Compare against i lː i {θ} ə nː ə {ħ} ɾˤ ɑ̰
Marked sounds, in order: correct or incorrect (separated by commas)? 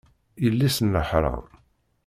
incorrect, correct